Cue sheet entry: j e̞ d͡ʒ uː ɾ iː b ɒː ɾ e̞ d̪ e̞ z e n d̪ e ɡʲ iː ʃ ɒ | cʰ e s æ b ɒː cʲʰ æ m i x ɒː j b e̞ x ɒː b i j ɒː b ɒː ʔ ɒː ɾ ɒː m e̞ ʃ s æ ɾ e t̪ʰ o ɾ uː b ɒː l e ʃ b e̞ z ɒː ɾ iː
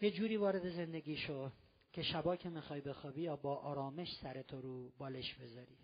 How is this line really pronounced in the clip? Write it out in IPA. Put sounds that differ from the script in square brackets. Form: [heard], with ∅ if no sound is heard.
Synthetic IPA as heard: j e̞ d͡ʒ uː ɾ iː [v] ɒː ɾ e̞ d̪ e̞ z e n d̪ e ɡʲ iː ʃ [o] | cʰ e [ʃ] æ b ɒː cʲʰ [e] m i x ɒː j b e̞ x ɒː b i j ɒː b ɒː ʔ ɒː ɾ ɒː m e̞ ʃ s æ ɾ e t̪ʰ o ɾ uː b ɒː l e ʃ b e̞ z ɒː ɾ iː